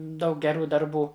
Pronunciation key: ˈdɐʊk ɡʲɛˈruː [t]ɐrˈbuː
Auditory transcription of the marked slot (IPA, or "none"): d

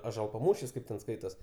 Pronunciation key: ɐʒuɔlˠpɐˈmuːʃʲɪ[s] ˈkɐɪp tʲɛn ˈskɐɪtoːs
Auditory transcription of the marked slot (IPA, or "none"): s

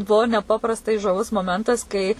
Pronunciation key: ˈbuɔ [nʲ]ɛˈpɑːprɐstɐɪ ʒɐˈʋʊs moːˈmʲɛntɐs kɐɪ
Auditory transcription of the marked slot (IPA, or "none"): nʲ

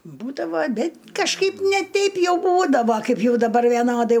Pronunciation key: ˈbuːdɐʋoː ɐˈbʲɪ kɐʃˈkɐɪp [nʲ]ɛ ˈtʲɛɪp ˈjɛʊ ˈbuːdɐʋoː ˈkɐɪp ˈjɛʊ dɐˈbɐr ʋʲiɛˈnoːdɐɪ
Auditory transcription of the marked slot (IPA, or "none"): nʲ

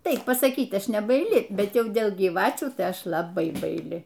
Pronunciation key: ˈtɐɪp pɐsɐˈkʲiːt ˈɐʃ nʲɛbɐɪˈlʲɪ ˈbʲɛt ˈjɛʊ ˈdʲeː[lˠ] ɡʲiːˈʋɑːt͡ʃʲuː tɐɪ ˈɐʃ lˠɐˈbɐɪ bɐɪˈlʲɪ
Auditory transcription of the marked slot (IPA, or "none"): lˠ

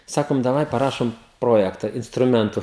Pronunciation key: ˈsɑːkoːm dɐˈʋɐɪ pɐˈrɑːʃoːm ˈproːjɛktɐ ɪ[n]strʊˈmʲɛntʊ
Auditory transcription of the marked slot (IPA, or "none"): n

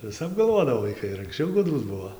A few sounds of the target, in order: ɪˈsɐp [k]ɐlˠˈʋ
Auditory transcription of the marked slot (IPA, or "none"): ɡ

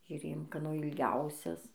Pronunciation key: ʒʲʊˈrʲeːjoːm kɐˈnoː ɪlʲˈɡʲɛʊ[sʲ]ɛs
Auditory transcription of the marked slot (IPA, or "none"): sʲ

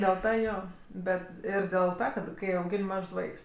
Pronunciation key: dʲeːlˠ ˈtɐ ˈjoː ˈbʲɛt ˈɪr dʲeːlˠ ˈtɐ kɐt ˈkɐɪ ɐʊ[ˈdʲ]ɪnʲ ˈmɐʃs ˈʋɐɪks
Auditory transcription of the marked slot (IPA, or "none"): ɡʲ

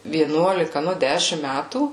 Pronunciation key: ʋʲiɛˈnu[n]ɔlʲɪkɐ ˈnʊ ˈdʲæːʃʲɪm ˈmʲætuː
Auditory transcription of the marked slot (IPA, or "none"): none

